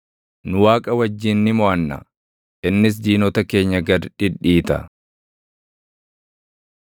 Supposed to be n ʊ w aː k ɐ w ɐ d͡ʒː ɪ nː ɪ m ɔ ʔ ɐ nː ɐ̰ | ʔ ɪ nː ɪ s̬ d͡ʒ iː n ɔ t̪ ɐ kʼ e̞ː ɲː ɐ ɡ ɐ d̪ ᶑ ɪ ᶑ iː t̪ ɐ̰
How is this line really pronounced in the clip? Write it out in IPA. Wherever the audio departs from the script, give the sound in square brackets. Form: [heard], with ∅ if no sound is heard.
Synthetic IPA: n ʊ w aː [kʼ] ɐ w ɐ d͡ʒː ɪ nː ɪ m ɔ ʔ ɐ nː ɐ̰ | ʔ ɪ nː ɪ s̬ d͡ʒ iː n ɔ t̪ ɐ [k] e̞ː ɲː ɐ ɡ ɐ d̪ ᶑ ɪ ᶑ iː t̪ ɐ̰